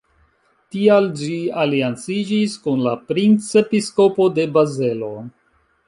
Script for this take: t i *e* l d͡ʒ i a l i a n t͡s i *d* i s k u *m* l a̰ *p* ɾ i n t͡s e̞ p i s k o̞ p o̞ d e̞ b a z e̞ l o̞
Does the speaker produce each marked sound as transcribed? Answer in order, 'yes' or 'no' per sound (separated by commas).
no, no, no, yes